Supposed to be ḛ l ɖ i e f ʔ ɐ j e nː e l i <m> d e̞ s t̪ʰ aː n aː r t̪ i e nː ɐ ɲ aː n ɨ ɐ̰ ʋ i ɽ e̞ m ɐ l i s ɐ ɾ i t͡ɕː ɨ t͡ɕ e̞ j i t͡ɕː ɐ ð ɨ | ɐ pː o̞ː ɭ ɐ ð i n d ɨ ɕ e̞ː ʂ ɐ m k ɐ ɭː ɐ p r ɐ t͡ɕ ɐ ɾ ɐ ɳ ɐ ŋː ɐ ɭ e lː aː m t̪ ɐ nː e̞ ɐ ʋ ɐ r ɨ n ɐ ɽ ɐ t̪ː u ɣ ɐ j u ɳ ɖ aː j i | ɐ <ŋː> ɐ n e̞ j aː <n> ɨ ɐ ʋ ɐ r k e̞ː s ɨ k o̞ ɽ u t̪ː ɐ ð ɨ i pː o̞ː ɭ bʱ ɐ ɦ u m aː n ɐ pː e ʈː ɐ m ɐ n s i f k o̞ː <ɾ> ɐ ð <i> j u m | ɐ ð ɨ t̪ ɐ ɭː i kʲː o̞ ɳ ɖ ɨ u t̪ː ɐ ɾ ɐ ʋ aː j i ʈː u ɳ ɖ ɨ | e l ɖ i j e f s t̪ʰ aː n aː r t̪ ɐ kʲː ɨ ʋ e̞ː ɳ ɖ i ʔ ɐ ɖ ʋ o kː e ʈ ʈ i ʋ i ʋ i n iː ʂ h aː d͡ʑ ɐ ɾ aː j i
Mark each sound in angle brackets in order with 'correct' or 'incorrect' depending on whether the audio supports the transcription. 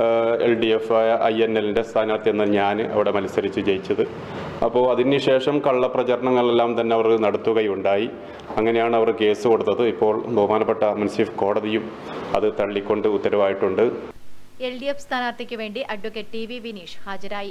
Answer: incorrect: n, correct, incorrect: ɳ, incorrect: ɽ, correct

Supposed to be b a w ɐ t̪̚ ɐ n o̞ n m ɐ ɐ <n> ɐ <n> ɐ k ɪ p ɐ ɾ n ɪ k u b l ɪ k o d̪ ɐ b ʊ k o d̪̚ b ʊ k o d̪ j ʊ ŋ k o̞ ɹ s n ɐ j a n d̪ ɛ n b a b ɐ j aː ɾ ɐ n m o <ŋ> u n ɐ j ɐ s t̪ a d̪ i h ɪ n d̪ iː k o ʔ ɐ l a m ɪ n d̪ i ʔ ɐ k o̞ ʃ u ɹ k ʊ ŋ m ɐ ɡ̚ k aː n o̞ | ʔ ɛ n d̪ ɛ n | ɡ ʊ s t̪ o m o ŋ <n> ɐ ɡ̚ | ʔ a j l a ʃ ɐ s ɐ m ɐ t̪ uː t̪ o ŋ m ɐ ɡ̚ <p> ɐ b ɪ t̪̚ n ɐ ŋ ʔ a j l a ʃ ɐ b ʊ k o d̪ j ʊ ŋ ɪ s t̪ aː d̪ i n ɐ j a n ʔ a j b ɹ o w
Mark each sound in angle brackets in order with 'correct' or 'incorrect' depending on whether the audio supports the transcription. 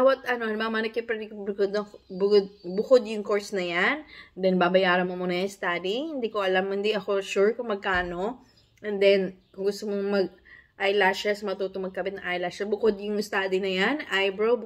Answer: incorrect: m, correct, incorrect: m, incorrect: m, incorrect: k

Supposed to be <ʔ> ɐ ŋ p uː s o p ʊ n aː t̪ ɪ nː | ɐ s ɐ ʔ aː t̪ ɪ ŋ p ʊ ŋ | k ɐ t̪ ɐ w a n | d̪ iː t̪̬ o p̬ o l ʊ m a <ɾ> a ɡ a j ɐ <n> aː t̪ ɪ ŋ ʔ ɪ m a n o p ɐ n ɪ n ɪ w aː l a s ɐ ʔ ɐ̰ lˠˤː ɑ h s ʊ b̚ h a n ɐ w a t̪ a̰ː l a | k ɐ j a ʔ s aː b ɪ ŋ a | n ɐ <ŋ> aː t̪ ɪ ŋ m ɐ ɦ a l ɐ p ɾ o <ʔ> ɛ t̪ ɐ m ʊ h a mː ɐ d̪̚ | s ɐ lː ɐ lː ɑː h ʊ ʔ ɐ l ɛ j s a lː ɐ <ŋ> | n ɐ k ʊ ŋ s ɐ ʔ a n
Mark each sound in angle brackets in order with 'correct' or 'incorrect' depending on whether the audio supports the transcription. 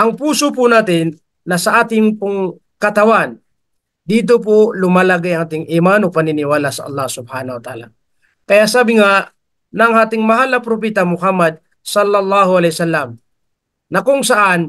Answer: correct, incorrect: l, incorrect: ŋ, correct, incorrect: p, incorrect: m

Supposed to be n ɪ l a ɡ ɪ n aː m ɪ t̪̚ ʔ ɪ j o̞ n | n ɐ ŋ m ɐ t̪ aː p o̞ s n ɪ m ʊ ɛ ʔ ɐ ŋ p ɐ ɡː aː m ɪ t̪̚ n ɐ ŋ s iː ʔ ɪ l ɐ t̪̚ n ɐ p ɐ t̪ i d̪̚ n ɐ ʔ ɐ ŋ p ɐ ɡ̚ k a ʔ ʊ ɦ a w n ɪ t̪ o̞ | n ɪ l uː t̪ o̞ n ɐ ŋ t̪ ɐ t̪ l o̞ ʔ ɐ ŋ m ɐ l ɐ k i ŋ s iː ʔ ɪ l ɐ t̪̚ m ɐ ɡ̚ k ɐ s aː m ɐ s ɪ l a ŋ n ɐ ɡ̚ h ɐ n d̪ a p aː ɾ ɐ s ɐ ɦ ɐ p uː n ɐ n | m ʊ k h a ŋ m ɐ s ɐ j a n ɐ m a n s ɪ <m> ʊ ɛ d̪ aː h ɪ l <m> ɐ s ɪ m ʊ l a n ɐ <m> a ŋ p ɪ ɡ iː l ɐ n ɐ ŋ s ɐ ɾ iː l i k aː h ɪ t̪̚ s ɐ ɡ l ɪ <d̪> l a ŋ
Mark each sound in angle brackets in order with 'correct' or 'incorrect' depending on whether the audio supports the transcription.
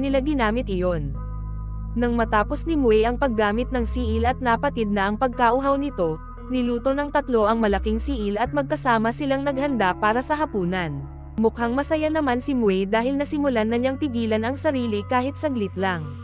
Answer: correct, incorrect: n, incorrect: ɲ, incorrect: t̪

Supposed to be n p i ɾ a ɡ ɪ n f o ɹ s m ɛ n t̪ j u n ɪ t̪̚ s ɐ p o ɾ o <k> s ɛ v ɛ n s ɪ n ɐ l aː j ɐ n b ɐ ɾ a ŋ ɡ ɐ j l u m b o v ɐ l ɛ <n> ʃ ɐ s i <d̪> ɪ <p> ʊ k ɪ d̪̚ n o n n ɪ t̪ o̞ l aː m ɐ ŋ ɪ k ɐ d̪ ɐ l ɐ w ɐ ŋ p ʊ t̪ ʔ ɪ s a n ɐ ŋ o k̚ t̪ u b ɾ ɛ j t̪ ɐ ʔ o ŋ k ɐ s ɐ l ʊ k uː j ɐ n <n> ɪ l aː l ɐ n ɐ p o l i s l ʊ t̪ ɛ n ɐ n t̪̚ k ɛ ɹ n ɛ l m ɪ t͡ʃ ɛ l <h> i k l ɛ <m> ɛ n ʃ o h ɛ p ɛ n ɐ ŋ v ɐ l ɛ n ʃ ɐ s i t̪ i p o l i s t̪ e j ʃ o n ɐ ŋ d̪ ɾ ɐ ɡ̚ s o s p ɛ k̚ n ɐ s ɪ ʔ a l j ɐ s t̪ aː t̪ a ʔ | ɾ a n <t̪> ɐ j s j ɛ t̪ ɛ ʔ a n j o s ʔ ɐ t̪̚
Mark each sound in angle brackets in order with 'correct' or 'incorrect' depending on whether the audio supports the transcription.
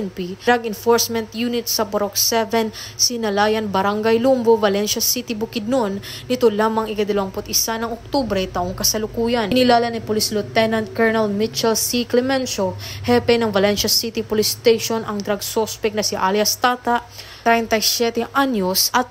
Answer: correct, correct, incorrect: t̪, incorrect: b, correct, incorrect: s, correct, correct

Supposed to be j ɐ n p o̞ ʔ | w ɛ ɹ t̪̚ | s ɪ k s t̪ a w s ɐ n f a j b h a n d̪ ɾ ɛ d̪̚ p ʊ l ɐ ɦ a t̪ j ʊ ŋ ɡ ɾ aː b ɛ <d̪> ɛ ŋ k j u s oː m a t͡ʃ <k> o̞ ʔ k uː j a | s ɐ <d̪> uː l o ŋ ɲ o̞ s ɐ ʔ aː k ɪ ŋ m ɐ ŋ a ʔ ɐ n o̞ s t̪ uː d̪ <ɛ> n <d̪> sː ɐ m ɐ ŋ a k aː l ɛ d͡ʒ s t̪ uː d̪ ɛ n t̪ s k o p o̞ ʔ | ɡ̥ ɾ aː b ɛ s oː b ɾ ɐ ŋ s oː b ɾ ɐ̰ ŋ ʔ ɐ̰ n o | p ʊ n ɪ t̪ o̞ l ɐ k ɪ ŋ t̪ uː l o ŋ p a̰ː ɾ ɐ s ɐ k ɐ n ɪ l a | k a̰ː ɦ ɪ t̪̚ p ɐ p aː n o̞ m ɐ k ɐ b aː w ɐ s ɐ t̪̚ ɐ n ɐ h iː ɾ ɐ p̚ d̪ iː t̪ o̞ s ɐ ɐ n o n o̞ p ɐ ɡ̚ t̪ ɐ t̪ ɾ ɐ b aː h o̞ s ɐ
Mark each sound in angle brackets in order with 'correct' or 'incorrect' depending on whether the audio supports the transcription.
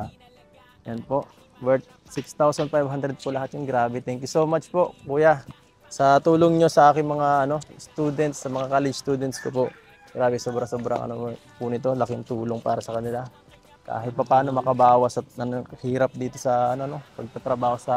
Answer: incorrect: t̪, incorrect: p, incorrect: t̪, correct, incorrect: t̪

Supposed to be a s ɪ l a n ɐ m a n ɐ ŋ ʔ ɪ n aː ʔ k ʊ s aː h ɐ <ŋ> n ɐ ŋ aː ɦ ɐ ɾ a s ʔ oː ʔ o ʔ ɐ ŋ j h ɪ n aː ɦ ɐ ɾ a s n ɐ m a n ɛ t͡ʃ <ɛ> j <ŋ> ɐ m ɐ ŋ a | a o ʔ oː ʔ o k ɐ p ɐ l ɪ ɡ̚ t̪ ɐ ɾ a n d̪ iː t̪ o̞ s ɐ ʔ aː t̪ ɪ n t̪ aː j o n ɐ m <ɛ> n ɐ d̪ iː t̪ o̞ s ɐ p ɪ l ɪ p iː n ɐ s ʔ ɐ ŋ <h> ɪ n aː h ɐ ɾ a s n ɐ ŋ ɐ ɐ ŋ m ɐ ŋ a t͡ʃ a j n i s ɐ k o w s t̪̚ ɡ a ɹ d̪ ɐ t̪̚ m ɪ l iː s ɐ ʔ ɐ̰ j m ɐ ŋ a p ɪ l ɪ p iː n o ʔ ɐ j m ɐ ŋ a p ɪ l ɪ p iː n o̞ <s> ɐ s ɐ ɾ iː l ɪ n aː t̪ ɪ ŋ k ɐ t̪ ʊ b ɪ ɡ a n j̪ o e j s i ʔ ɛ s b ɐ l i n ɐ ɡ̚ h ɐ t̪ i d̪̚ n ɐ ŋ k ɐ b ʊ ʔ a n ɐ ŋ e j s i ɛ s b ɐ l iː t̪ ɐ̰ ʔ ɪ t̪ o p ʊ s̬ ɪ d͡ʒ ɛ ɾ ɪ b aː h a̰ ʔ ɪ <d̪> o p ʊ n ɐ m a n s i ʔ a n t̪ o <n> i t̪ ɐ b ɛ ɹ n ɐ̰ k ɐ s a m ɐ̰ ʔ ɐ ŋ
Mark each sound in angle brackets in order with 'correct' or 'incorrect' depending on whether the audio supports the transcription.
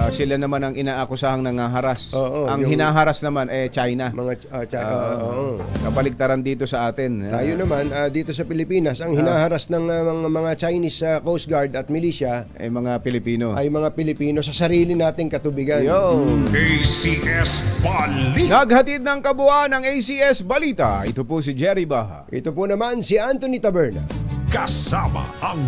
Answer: correct, incorrect: a, incorrect: n, incorrect: a, correct, correct, incorrect: t̪, correct

